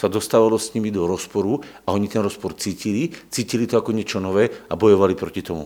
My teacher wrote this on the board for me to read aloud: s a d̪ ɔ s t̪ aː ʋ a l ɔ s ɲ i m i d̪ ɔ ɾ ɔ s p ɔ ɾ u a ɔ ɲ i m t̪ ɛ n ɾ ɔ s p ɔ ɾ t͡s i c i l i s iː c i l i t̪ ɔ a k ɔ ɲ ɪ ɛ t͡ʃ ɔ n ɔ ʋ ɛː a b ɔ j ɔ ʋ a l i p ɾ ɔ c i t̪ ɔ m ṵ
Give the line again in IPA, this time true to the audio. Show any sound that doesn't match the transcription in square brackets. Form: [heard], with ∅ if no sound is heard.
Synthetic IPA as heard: s a d̪ ɔ s t̪ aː ʋ a l ɔ s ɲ i m i d̪ ɔ ɾ ɔ s p ɔ ɾ u a ɔ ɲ i [∅] t̪ ɛ n ɾ ɔ s p ɔ ɾ t͡s [iː] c i l i [t͡s] iː c i l i t̪ ɔ a k ɔ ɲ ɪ ɛ t͡ʃ ɔ n ɔ ʋ ɛː a b ɔ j ɔ ʋ a l i p ɾ ɔ c i t̪ ɔ m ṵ